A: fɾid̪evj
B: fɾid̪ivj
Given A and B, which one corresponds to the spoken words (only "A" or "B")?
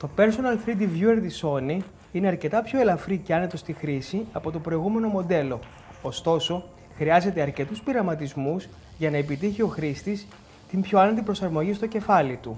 B